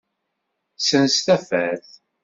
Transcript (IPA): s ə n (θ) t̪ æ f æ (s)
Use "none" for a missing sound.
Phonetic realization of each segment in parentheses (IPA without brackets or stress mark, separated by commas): s, θ